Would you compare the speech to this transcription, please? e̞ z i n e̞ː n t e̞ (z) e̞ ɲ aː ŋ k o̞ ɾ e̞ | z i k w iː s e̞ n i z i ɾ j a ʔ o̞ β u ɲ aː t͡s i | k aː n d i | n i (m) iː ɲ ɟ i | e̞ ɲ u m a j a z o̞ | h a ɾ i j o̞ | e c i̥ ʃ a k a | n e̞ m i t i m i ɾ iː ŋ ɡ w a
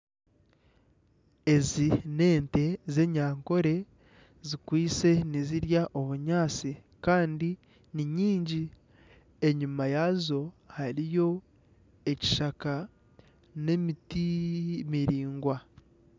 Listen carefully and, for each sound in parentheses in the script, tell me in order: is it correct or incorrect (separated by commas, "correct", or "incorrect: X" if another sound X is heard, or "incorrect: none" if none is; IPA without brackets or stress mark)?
correct, incorrect: ɲ